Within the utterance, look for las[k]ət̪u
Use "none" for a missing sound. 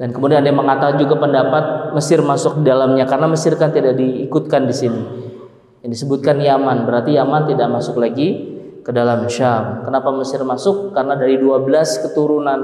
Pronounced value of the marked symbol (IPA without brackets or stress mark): k